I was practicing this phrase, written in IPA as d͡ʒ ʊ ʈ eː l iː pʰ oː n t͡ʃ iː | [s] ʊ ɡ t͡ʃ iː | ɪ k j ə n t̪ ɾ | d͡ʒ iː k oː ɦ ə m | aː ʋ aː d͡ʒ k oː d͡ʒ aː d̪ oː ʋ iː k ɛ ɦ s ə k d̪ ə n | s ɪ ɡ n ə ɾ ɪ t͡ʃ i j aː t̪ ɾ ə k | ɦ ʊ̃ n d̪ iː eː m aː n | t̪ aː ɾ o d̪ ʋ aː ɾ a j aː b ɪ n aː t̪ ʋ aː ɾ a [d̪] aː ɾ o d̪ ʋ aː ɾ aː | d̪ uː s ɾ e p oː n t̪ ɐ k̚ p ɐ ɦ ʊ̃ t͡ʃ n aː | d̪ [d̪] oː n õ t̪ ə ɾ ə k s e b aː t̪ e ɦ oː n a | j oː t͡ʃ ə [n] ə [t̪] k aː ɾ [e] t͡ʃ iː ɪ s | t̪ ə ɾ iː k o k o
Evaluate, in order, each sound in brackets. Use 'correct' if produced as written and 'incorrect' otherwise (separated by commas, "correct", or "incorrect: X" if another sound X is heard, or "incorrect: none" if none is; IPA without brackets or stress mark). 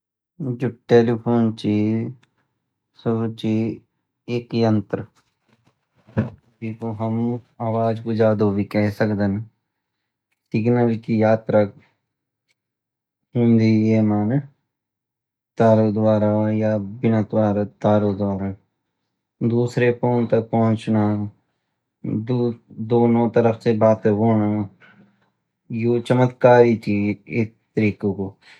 correct, incorrect: t̪, correct, incorrect: m, correct, incorrect: i